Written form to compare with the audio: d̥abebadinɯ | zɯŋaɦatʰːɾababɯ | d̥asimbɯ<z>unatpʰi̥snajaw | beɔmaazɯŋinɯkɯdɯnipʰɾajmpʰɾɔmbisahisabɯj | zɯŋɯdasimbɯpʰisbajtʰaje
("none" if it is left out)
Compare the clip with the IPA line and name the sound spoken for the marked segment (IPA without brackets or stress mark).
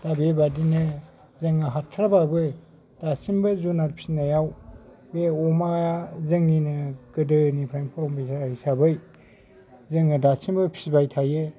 z